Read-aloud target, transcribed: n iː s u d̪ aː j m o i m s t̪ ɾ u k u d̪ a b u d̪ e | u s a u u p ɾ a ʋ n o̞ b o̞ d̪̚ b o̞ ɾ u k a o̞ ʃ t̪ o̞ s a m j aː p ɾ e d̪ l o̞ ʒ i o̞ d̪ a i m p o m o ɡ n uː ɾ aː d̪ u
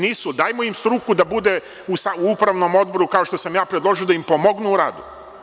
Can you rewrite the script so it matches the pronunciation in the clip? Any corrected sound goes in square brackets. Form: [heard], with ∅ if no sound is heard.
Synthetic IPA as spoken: n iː s u d̪ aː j m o i m s t̪ ɾ u k u d̪ a b u d̪ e | u s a u u p ɾ a ʋ n o̞ [m] o̞ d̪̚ b o̞ ɾ u k a o̞ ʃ t̪ o̞ s a m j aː p ɾ e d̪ l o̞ ʒ i o̞ d̪ a i m p o m o ɡ n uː ɾ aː d̪ u

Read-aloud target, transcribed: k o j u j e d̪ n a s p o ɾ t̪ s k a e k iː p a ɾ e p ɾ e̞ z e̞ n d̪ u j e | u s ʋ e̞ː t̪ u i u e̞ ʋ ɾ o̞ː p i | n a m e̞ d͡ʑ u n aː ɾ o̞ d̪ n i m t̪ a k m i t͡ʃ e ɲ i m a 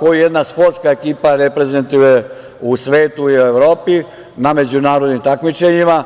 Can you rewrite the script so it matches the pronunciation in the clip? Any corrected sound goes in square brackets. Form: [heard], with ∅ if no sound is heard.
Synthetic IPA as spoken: k o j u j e d̪ n a s p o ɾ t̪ s k a e k iː p a ɾ e p ɾ e̞ z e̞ n [t̪] u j e | u s ʋ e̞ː t̪ u i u e̞ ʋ ɾ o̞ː p i | n a m e̞ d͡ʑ u n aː ɾ o̞ d̪ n i m t̪ a k m i t͡ʃ e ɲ i m a

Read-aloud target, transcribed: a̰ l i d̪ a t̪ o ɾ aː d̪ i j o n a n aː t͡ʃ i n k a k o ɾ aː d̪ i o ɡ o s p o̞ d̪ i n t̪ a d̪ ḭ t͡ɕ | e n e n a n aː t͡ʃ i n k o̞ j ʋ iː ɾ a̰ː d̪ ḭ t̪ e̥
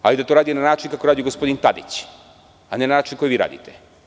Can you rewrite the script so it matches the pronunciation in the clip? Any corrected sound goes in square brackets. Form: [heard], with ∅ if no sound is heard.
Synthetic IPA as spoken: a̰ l i d̪ a t̪ o ɾ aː d̪ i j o n a n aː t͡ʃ i n k a k o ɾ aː d̪ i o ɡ o s p o̞ d̪ i n t̪ a d̪ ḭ t͡ɕ | [a] n e n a n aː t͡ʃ i n k o̞ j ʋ iː ɾ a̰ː d̪ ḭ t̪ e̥

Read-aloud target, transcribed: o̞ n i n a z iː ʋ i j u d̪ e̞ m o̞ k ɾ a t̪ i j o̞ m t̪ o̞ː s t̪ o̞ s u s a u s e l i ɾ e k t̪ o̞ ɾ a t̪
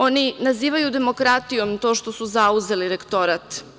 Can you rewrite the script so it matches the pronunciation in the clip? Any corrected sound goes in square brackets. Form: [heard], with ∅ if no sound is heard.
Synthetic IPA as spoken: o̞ n i n a z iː ʋ [a] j u d̪ e̞ m o̞ k ɾ a t̪ i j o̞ m t̪ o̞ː [ʃ] t̪ o̞ s u [z] a u [z] e l i ɾ e k t̪ o̞ ɾ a t̪

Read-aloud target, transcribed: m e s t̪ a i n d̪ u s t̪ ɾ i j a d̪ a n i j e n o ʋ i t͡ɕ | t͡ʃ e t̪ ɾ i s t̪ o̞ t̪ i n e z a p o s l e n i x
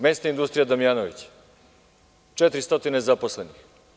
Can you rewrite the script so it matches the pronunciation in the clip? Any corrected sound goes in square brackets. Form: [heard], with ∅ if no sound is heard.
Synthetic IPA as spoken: m e s t̪ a i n d̪ u s t̪ ɾ i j a d̪ a [m] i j [a] n o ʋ i t͡ɕ | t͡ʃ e t̪ ɾ i s t̪ o̞ t̪ i n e z a p o s l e n i x

